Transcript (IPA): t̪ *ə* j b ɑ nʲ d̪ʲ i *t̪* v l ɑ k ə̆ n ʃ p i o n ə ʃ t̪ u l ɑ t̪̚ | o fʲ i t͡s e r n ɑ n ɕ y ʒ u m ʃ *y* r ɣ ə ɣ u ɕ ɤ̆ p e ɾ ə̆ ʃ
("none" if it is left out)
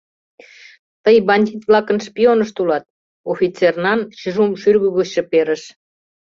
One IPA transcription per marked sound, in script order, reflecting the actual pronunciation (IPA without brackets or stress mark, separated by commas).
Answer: ə, t̪, y